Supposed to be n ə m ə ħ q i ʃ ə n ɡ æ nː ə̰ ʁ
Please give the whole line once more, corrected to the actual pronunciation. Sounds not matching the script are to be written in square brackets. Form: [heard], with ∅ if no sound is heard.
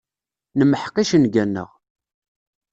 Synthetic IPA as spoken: n ə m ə ħ q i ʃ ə n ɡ æ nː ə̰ ʁ